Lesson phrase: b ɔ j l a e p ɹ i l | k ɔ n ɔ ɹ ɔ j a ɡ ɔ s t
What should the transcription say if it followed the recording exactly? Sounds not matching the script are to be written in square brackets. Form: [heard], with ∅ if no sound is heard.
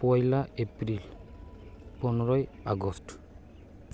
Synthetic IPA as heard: [p] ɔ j l a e p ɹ i l | [p] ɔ n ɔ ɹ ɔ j a ɡ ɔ s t